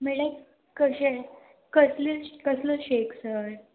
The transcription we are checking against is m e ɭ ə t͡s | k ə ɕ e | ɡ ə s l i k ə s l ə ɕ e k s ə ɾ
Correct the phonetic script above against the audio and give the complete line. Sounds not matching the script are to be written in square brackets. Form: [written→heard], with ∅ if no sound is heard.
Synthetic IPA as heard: m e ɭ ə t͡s | k ə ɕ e | [ɡ→k] ə s l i k ə s l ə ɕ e k s ə ɾ